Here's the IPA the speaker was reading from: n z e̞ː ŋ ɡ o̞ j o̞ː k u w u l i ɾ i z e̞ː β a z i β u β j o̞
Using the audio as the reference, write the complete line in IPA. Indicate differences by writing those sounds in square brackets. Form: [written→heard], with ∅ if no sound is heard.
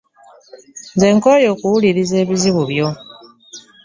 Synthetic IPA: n z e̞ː ŋ [ɡ→k] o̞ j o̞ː k u w u l i ɾ i z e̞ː β [a→i] z i β u β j o̞